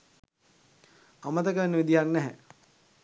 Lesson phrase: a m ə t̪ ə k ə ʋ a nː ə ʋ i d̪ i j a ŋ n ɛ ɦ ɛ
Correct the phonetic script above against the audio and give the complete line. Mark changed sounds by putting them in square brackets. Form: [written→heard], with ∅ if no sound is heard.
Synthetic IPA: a m ə t̪ ə k ə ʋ [a→e] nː ə ʋ i d̪ i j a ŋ n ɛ ɦ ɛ